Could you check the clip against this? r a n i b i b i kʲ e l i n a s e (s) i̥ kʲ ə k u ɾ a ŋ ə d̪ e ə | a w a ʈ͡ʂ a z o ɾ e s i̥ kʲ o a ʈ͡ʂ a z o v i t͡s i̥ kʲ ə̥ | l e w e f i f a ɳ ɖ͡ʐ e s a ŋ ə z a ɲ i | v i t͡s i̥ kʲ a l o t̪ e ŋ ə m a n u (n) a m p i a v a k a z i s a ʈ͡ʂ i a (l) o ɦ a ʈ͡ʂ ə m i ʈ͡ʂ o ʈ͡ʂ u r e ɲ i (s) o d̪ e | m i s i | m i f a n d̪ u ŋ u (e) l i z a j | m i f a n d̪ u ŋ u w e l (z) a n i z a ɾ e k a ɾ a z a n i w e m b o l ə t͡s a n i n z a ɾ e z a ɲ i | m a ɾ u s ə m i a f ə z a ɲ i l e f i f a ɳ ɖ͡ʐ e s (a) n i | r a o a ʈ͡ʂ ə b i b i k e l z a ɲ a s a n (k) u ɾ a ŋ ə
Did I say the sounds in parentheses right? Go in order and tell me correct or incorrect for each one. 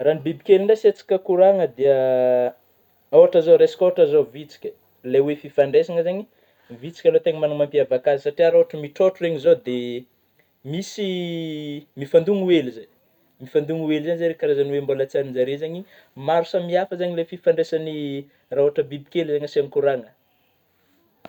incorrect: t͡s, incorrect: m, incorrect: ɾ, incorrect: z, correct, correct, correct, correct

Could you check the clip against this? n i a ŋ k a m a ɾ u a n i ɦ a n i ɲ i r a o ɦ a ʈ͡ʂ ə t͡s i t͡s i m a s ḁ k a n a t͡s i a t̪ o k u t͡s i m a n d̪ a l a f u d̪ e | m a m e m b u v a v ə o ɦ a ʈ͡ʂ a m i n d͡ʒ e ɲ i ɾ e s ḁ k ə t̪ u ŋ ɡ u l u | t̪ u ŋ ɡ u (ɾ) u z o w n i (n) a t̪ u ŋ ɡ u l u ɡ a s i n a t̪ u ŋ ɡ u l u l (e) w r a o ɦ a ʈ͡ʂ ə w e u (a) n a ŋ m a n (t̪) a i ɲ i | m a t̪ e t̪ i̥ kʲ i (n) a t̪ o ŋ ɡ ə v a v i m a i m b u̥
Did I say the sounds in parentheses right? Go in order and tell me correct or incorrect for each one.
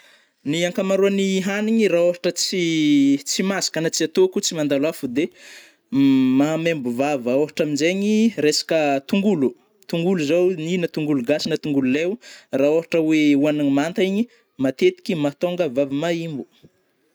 incorrect: l, correct, correct, correct, correct, incorrect: m

